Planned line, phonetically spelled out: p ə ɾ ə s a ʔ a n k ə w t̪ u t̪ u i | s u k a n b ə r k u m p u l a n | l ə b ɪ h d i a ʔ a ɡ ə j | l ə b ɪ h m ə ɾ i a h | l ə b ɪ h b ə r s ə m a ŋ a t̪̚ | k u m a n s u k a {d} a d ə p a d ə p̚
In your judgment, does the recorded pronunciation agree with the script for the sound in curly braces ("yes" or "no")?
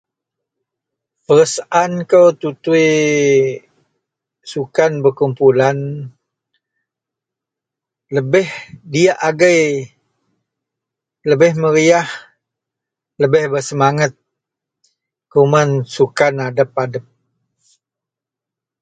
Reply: no